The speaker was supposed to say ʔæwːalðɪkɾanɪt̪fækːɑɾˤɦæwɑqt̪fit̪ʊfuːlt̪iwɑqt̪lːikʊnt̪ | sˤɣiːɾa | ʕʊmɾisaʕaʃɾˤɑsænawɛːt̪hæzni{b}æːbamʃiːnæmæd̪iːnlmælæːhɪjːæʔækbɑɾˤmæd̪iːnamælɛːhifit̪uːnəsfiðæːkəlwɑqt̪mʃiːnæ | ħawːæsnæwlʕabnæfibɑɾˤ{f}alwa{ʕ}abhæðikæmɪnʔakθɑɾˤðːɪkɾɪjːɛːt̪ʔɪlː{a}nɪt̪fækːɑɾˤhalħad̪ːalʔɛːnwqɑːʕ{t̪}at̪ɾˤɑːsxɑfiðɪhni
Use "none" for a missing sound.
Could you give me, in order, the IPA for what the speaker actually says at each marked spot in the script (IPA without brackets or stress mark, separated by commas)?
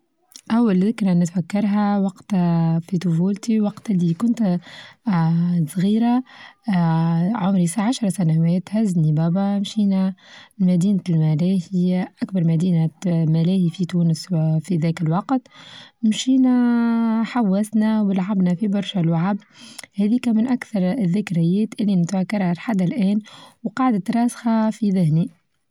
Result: b, ʃ, ʕ, i, d̪